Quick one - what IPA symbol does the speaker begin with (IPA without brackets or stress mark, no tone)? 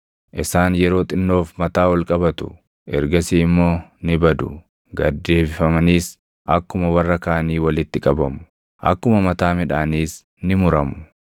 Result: ʔ